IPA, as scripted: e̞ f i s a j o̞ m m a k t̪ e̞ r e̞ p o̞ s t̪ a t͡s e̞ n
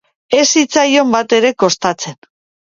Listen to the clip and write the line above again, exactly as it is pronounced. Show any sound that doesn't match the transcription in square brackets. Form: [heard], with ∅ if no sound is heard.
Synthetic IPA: e̞ [s] i [t͡s] a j o̞ m [b] a [∅] t̪ e̞ [ɾ] e̞ [k] o̞ s t̪ a t͡s e̞ n